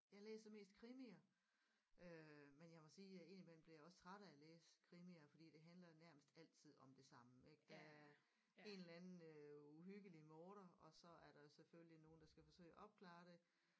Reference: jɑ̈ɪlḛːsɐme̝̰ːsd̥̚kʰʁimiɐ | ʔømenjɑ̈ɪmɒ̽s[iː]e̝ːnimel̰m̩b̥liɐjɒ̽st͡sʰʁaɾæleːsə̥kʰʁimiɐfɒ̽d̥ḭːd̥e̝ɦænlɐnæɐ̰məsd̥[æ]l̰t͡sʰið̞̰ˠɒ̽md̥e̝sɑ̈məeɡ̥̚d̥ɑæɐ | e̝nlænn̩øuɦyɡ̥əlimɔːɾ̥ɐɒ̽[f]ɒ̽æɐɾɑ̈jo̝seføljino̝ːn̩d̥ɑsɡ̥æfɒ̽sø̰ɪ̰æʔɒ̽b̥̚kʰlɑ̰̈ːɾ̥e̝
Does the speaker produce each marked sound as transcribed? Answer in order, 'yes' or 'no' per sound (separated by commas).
yes, yes, no